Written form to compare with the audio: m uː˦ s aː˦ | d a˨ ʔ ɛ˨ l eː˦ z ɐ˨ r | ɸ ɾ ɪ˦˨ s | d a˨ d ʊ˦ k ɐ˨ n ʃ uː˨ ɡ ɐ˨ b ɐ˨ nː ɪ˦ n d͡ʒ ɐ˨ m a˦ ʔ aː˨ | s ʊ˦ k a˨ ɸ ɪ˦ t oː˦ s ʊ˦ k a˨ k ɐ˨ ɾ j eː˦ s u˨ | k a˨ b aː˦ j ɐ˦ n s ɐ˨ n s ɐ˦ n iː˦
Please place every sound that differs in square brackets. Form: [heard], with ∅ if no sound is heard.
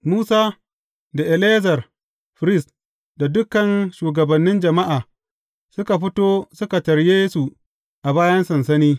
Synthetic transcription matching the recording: m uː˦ s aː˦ | d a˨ ʔ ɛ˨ l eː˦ z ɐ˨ r | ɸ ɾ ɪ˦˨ s | d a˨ d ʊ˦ k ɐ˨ n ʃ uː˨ ɡ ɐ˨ b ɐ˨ nː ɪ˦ n d͡ʒ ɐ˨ m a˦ ʔ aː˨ | s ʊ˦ k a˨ ɸ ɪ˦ t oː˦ s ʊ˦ k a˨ [t] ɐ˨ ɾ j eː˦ s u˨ | [ʔ] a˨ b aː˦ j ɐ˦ n s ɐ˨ n s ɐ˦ n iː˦